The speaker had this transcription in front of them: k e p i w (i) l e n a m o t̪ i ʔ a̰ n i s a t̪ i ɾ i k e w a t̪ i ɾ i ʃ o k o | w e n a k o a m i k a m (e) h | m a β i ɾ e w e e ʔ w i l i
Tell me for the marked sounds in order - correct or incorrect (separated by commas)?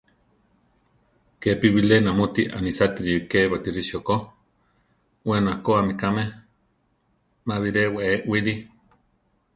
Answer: correct, correct